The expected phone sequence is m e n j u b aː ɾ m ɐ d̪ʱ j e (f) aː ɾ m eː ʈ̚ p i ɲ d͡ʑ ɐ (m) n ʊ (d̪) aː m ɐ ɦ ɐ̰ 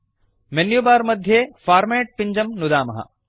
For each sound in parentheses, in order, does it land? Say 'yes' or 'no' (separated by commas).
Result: yes, yes, yes